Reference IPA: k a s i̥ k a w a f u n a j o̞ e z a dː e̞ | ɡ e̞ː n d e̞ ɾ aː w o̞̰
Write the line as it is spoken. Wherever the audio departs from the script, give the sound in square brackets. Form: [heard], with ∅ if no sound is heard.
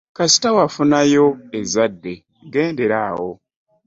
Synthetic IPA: k a s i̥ [t] a w a f u n a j o̞ e z a dː e̞ | ɡ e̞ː n d e̞ ɾ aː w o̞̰